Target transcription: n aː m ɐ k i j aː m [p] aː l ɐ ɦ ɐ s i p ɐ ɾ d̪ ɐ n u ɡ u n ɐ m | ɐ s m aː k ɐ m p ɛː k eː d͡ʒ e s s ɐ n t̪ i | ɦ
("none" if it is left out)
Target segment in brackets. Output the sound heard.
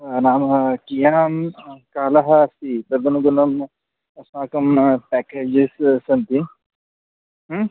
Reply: k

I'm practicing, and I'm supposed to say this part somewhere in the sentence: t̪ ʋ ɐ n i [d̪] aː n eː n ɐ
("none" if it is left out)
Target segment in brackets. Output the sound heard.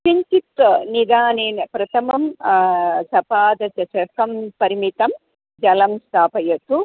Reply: d̪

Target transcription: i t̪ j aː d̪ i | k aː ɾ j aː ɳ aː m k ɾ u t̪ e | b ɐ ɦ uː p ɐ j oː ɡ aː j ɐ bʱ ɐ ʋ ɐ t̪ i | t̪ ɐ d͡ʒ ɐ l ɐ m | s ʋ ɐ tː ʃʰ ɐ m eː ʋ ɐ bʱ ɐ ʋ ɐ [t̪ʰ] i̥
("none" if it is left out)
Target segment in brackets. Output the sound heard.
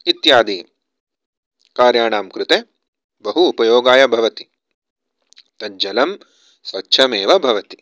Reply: t̪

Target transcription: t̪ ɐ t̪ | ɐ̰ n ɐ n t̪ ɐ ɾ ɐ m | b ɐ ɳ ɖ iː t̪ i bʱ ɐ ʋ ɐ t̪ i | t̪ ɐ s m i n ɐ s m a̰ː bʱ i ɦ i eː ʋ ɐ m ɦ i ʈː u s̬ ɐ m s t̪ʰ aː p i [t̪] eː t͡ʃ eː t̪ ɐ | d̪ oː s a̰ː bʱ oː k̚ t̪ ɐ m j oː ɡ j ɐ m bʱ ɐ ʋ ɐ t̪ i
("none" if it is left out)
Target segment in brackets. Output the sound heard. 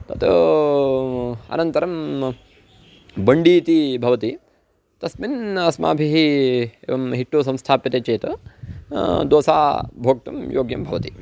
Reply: t̪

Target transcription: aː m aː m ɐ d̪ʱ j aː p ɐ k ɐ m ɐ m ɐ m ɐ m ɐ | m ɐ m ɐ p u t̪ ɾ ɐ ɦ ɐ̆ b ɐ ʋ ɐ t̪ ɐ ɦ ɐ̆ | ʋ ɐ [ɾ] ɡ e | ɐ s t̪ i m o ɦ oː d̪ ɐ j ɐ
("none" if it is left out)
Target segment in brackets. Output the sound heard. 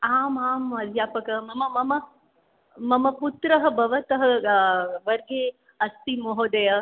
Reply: ɾ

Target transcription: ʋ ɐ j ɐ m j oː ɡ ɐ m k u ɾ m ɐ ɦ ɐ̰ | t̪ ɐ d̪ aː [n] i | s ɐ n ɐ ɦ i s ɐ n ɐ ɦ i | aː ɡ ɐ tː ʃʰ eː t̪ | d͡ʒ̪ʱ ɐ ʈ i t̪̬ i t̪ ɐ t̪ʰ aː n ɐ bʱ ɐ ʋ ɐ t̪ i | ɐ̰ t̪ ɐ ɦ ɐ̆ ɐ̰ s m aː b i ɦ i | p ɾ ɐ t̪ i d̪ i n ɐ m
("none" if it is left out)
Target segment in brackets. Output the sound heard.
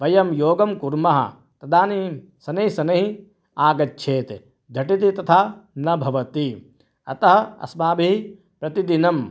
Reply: n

